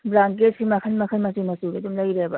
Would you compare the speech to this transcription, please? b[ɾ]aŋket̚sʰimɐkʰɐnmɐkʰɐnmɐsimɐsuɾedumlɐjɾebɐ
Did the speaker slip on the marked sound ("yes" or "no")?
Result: no